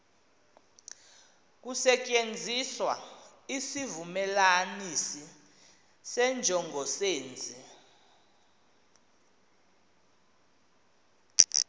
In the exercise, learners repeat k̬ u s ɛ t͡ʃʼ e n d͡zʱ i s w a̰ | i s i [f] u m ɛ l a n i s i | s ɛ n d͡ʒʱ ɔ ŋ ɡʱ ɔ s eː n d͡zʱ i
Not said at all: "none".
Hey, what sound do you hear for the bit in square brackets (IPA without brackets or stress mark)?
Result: v